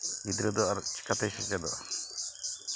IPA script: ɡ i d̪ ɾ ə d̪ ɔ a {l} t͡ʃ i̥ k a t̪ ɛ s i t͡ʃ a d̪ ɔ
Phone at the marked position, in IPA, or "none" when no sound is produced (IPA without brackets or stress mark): ɾ